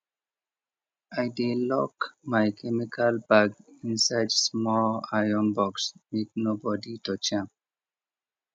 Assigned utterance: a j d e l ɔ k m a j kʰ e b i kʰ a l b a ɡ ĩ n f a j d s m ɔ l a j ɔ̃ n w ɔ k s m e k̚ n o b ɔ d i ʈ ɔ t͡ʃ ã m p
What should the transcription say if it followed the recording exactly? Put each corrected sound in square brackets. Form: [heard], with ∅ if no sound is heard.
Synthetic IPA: a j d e l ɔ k m a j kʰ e [m] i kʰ a l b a ɡ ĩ n [s] a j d s m ɔ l a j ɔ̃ n [b] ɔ k s m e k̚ n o b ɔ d i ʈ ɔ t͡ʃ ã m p